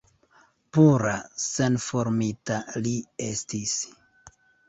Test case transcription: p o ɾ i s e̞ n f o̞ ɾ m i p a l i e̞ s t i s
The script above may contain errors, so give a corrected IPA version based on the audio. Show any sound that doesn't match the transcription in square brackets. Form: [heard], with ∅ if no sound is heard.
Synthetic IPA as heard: p [u] ɾ [a] s e̞ n f o̞ ɾ m i [t] a l i e̞ s t i s

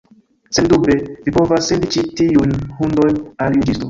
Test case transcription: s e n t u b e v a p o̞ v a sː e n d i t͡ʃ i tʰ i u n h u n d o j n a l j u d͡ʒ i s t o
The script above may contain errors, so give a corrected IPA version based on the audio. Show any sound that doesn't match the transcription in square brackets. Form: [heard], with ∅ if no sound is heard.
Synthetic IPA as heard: s e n [d] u b e v [i] p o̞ v a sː e n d i t͡ʃ i [t] i u n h u n d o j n a l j u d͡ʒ i s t o

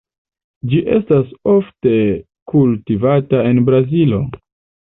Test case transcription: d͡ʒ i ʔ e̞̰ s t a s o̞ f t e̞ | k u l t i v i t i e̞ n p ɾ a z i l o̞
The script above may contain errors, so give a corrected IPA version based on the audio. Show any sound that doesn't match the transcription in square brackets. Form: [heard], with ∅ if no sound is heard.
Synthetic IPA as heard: d͡ʒ i ʔ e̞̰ s t a s o̞ f t e̞ | k u l t i v [a] t [a] e̞ n [b] ɾ a z i l o̞

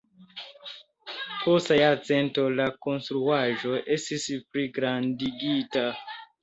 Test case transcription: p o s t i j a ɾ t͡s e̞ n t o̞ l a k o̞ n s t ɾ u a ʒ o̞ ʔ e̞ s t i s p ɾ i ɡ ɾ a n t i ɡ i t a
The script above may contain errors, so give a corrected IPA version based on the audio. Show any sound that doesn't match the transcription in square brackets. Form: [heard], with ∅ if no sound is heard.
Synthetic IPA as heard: p o s t [a] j a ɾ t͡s e̞ n t o̞ l a k o̞ n s t ɾ u a ʒ o̞ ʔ e̞ s t i s p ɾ i ɡ ɾ a n [d] i ɡ i t a

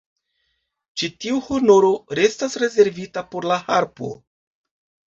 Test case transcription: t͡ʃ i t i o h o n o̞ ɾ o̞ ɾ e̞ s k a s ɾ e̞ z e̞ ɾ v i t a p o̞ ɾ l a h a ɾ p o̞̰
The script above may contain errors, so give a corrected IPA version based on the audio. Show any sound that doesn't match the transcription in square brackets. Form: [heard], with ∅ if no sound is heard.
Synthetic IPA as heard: t͡ʃ i t i [u] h o n o̞ ɾ o̞ ɾ e̞ s [t] a s ɾ e̞ z e̞ ɾ v i t a p o̞ ɾ l a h a ɾ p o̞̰

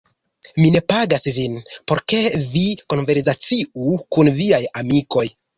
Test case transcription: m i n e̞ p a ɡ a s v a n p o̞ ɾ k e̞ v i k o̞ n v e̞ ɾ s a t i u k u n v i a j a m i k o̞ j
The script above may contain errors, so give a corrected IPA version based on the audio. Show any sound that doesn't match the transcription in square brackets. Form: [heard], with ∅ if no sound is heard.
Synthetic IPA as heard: m i n e̞ p a ɡ a s v [i] n p o̞ ɾ k e̞ v i k o̞ n v e̞ ɾ s a [t͡s] i u k u n v i a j a m i k o̞ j

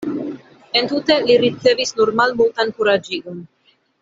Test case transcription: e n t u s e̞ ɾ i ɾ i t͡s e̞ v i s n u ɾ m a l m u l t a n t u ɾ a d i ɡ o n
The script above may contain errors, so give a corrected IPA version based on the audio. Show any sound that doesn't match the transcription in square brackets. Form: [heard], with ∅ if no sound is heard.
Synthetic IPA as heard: e n t u [t] e̞ [l] i ɾ i t͡s e̞ v i s n u ɾ m a l m u l t a n [k] u ɾ a [d͡ʒ] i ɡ o n

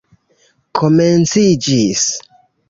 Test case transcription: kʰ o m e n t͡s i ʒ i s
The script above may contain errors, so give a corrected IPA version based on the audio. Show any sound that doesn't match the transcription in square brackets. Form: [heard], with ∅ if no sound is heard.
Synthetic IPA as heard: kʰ o m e n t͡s i [d͡ʒ] i s

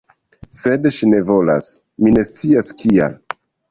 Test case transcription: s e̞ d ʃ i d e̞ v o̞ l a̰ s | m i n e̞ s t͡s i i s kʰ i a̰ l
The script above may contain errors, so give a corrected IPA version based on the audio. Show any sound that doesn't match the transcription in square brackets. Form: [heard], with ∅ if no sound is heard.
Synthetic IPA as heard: s e̞ d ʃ i [n] e̞ v o̞ l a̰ s | m i n e̞ s t͡s i [a] s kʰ i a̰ l

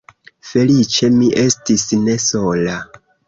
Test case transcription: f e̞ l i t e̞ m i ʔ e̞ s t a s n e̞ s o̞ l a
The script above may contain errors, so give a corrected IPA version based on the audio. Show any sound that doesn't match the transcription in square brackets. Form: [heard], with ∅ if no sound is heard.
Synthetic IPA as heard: f e̞ l i [t͡ʃ] e̞ m i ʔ e̞ s t [i] s n e̞ s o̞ l a

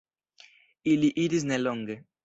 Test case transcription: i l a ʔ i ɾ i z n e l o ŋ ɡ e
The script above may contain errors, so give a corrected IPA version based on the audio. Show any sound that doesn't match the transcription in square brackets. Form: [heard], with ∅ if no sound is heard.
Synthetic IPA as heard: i l [i] ʔ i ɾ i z n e l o ŋ ɡ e

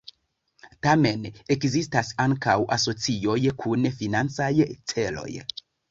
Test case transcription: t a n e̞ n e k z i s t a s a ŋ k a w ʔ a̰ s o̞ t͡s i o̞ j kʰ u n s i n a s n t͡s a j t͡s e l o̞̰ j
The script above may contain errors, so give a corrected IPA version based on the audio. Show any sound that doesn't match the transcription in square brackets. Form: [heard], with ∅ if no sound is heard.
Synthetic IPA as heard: t a [m] e̞ n e k z i s t a s a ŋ k a w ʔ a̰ s o̞ t͡s i o̞ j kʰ u n [f] i n a [∅] n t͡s a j t͡s e l o̞̰ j

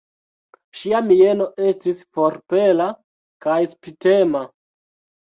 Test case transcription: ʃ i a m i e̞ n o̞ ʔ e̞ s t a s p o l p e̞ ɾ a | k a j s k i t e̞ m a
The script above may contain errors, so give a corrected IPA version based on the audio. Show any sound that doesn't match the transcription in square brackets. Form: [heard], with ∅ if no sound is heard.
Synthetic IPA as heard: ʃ i a m i e̞ n o̞ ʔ e̞ s t [i] s p o [ɾ] p e̞ [l] a | k a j s [p] i t e̞ m a

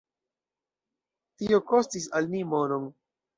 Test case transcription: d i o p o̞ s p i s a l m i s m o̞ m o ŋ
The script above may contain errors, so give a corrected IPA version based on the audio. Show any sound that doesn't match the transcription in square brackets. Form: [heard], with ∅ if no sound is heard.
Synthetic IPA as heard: [t] i o [k] o̞ s [t] i s a l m i [∅] m o̞ [n] o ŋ

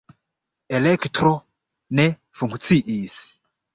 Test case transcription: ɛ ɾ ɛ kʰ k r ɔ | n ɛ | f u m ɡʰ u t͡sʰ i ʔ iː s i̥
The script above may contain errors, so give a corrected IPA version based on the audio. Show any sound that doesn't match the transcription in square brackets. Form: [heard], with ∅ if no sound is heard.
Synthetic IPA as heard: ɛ [l] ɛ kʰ [t] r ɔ | n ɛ | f u [ŋ] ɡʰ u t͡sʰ i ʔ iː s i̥

